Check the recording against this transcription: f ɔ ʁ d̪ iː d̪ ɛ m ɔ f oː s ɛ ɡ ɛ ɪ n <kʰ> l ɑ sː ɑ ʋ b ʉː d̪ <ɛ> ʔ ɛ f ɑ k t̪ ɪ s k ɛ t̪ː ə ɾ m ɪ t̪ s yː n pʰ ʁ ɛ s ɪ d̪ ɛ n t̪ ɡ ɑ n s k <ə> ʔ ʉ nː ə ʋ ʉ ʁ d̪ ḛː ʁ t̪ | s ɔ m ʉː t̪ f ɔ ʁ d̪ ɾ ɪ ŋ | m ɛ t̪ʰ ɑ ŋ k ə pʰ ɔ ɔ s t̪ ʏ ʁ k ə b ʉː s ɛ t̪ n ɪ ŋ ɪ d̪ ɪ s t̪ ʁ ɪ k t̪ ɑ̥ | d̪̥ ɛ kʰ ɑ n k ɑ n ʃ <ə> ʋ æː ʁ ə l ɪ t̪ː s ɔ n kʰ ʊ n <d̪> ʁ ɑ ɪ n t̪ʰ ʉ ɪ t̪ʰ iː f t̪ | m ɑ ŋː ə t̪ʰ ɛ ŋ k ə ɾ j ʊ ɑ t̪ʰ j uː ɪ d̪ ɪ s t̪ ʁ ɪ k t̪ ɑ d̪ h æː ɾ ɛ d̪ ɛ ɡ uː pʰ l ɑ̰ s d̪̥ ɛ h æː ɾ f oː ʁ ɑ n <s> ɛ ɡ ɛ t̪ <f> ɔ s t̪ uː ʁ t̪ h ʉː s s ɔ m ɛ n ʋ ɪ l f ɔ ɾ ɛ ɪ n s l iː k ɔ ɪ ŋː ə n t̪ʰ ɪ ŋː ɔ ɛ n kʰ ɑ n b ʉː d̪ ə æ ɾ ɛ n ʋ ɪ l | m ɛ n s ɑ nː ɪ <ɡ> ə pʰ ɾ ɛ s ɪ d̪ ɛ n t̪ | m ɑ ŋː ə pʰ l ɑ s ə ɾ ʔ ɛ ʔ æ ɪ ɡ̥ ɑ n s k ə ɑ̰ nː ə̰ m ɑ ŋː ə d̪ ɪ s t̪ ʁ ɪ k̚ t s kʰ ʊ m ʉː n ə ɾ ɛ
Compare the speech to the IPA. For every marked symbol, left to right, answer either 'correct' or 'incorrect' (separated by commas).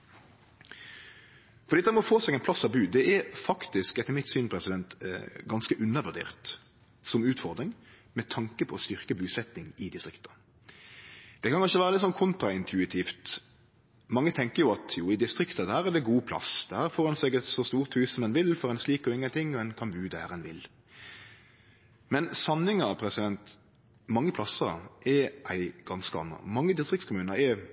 incorrect, correct, correct, correct, incorrect, correct, incorrect, incorrect